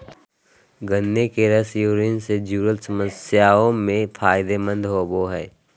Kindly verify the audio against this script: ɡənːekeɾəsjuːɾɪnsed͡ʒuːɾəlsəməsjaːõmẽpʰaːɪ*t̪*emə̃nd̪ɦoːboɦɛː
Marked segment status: incorrect: d̪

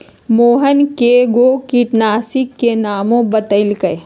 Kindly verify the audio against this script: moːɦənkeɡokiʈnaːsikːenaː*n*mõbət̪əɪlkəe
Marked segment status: incorrect: none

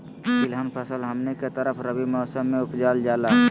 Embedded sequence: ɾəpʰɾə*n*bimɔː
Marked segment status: incorrect: none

